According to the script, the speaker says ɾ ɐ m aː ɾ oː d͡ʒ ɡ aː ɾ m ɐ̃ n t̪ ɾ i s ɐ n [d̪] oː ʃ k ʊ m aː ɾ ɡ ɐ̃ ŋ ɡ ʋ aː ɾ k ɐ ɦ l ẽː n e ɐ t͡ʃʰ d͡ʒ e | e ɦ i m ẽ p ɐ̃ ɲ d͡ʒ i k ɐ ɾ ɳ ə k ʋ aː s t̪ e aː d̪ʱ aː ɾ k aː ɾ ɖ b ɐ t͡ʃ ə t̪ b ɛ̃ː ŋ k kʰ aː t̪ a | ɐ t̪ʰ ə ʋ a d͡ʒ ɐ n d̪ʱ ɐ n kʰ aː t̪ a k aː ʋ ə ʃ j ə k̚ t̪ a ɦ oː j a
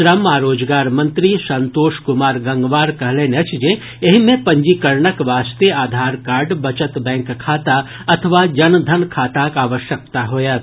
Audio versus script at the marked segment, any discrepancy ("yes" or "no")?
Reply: yes